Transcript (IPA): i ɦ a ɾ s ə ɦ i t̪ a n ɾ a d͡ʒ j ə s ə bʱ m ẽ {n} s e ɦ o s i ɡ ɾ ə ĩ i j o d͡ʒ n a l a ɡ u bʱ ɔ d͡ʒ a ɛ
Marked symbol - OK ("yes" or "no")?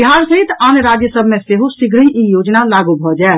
no